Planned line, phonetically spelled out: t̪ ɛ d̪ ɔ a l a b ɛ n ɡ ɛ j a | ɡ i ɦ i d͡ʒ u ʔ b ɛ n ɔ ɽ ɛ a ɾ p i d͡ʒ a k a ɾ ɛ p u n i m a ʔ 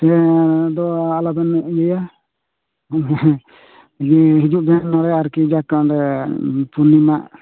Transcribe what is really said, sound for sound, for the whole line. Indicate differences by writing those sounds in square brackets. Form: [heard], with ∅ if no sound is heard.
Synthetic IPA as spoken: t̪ ɛ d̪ ɔ a l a b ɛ n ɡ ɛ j a | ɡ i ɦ i d͡ʒ u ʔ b ɛ n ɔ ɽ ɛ a ɾ [k] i d͡ʒ a k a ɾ ɛ p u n i m a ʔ